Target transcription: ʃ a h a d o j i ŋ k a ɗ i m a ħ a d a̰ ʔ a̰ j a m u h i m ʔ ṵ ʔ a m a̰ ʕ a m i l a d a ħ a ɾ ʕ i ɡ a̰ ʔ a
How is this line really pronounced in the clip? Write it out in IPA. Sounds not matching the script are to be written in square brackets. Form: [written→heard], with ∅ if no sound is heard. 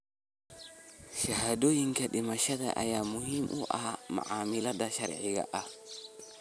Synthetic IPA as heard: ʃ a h a d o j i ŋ k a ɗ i m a [ħ→ʃ] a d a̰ ʔ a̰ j a m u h i m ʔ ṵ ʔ a m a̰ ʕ a m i l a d a [ħ→ʃ] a ɾ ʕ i ɡ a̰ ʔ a